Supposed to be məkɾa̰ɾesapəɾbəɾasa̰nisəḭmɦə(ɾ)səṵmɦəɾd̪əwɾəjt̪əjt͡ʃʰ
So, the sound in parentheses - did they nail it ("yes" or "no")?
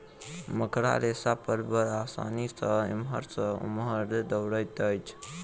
yes